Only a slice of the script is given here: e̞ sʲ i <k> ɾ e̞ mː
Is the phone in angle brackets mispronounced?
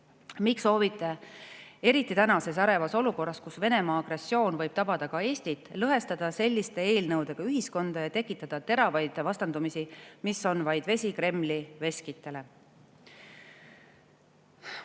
no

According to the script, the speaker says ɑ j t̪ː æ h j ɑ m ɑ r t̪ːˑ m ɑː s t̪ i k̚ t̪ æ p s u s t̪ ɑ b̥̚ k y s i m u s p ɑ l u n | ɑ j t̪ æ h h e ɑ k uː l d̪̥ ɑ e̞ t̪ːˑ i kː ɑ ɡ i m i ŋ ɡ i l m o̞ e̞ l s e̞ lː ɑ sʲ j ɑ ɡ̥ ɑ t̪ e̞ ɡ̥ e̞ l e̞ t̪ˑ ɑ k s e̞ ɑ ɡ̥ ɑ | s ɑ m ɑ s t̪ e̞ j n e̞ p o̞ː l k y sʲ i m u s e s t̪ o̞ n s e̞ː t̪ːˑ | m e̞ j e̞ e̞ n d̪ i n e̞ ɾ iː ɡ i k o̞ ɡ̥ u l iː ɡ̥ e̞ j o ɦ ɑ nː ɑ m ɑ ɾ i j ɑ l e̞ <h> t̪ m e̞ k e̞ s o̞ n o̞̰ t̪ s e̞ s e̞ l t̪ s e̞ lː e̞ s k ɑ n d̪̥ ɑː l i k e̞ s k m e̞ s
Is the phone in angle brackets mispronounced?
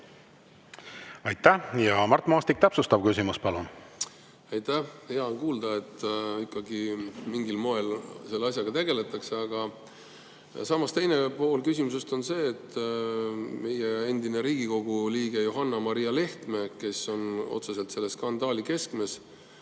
no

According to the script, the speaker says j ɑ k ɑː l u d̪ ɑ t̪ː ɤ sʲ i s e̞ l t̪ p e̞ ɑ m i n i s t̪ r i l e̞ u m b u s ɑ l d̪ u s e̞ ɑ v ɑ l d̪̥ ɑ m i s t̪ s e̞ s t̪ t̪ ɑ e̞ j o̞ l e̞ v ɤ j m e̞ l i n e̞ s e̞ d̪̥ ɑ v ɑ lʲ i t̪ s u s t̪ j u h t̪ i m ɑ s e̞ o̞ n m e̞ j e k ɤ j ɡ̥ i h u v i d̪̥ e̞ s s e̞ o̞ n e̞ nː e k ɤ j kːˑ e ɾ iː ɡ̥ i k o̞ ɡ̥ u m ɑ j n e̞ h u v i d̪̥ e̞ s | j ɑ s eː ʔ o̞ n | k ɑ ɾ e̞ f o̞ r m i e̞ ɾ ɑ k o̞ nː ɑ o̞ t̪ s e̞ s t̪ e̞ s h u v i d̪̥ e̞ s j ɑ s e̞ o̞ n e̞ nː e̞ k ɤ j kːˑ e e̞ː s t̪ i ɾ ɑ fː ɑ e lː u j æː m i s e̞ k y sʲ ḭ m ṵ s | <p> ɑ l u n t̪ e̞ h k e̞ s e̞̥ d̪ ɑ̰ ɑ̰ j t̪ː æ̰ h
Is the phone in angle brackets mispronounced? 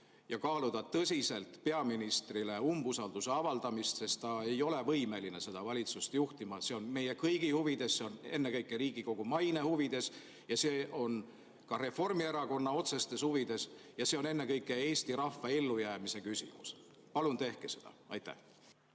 no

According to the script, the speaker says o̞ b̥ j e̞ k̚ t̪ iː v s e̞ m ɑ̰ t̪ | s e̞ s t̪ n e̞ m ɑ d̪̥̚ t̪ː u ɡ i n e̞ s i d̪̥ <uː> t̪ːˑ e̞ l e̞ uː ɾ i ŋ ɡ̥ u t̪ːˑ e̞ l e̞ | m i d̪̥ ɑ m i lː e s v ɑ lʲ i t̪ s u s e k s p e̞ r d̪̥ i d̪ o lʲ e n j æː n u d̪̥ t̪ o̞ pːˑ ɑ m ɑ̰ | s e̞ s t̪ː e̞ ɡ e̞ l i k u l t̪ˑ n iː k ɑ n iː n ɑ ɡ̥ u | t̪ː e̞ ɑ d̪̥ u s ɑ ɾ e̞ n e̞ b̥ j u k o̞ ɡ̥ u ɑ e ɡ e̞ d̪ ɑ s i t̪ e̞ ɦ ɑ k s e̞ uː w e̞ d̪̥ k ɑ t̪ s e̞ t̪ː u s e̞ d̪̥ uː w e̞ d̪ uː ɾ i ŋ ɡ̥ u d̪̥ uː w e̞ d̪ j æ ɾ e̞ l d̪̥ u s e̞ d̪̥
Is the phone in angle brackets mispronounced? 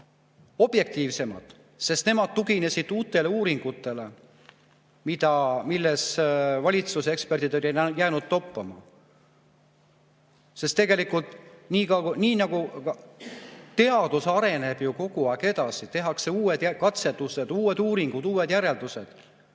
no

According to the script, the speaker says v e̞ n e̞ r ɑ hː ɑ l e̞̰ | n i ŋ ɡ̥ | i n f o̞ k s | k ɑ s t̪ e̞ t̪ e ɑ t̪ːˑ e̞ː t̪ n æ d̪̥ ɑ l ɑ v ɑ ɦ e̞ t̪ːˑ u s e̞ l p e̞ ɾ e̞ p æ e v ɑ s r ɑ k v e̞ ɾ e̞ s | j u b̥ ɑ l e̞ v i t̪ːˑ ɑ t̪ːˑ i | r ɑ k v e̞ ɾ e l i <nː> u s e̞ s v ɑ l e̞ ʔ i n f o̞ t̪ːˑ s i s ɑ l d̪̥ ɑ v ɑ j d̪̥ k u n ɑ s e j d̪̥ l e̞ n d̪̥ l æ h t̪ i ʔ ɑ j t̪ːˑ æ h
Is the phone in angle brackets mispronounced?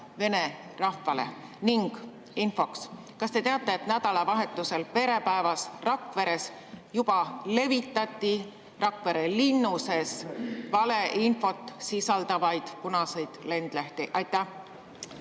no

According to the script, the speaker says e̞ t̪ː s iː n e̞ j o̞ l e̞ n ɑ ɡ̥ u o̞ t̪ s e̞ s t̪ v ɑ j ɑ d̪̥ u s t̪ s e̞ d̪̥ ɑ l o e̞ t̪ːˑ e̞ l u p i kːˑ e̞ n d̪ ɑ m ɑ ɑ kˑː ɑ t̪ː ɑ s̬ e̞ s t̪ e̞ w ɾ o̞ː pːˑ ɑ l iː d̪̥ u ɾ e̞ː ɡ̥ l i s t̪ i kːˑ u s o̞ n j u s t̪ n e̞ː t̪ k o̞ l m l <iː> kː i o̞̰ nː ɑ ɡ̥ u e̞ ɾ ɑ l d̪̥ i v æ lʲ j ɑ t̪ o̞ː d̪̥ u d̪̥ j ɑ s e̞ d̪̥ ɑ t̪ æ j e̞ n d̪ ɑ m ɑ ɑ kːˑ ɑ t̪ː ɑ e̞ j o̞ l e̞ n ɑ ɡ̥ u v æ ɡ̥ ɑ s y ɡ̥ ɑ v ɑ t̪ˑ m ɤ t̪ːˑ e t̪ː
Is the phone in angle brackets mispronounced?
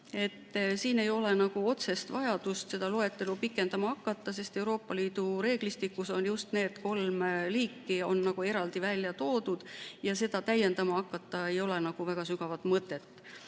no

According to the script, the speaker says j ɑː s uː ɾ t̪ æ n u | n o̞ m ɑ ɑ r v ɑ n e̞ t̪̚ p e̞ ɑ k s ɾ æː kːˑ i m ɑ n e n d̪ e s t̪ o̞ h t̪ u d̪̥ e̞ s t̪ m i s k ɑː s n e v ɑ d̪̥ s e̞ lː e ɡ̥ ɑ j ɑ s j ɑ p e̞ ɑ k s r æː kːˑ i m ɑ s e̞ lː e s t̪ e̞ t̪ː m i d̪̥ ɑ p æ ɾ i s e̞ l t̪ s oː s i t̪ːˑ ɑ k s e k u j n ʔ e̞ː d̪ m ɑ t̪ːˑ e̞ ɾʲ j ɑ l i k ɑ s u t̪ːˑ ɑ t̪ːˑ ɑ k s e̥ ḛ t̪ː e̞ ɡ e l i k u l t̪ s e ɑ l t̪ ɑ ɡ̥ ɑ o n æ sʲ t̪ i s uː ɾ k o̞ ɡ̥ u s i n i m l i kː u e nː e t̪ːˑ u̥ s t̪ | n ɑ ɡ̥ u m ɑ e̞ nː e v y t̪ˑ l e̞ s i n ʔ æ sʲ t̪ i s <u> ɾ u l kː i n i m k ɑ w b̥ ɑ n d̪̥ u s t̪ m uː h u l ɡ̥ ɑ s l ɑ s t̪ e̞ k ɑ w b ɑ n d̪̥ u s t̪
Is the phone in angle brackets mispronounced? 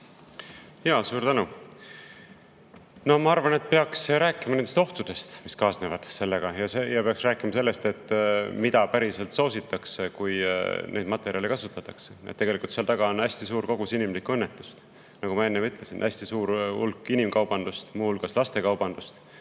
yes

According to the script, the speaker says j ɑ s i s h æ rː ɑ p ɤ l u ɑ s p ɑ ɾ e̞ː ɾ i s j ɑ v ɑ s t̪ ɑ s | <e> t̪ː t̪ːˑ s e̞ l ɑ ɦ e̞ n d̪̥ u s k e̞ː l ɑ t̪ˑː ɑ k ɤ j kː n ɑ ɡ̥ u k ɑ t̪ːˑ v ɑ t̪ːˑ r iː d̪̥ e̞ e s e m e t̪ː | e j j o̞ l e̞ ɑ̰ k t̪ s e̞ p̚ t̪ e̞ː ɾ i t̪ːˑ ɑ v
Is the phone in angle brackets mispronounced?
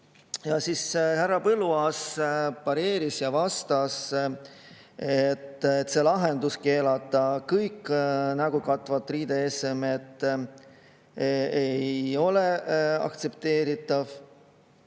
no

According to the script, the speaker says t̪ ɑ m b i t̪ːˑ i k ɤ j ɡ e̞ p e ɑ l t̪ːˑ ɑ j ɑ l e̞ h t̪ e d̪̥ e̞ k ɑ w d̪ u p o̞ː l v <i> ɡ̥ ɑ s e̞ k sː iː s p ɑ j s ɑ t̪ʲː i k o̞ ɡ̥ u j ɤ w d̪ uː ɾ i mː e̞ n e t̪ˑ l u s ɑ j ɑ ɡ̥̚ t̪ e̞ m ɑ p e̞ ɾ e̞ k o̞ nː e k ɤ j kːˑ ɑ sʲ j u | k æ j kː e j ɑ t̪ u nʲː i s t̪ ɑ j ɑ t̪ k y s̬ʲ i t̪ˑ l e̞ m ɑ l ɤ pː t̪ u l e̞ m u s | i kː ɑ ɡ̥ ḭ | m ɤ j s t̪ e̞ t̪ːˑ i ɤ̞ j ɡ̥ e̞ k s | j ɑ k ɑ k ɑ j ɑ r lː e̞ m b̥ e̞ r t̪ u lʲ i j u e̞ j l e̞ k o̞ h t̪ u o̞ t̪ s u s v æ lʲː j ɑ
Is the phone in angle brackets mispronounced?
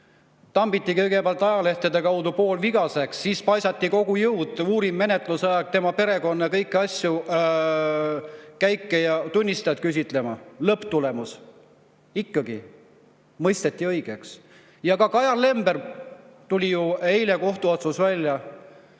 no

